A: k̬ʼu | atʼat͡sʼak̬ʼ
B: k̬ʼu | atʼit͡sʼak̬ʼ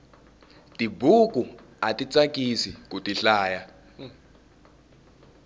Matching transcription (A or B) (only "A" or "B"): B